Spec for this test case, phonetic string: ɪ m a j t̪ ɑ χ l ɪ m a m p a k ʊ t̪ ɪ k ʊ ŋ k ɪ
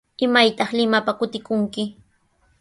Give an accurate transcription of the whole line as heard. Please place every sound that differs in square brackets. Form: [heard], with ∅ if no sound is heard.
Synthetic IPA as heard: ɪ m a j t̪ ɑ χ l ɪ m a [∅] p a k ʊ t̪ ɪ k ʊ ŋ k ɪ